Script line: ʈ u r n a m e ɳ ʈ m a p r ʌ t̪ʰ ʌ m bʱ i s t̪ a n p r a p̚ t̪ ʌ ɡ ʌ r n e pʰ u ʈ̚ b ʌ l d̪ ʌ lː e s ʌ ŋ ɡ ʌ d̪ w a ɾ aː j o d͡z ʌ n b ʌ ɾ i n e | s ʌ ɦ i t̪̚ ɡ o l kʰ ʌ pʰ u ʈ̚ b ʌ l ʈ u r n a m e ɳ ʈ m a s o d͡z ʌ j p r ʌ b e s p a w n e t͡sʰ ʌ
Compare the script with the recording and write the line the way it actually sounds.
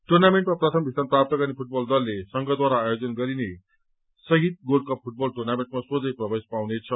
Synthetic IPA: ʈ u r n a m e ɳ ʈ m a p r ʌ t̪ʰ ʌ m bʱ i s t̪ a n p r a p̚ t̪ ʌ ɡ ʌ r n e pʰ u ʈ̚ b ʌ l d̪ ʌ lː e s ʌ ŋ ɡ ʌ d̪ w a ɾ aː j o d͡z ʌ n ɡ ʌ ɾ i n e | s ʌ ɦ i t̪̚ ɡ o l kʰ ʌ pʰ u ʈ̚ b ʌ l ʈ u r n a m e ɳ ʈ m a s o d͡z ʌ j p r ʌ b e s p a w n e t͡sʰ ʌ